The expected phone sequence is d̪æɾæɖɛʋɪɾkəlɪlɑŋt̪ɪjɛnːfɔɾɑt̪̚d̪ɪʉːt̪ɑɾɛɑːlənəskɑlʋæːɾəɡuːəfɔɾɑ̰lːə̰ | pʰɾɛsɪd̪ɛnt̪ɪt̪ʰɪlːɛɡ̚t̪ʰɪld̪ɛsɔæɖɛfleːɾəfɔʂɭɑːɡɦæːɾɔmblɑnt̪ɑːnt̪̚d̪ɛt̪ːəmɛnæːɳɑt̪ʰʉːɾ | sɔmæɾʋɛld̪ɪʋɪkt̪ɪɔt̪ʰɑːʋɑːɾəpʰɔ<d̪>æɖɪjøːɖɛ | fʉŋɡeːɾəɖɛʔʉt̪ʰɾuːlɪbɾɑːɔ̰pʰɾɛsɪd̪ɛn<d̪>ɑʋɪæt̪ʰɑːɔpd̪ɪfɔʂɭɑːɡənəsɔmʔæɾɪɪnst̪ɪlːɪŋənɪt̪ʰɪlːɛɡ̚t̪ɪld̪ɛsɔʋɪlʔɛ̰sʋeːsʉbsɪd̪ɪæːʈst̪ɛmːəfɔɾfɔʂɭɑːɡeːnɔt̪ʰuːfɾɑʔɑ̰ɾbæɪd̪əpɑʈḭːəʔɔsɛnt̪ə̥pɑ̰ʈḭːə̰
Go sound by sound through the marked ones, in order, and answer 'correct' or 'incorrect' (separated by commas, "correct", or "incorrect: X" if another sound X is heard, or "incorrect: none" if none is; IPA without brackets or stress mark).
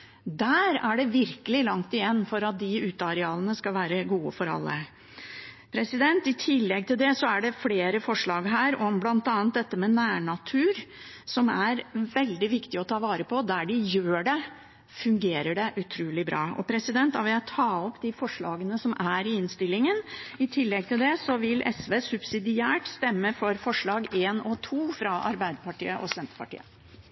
correct, incorrect: t̪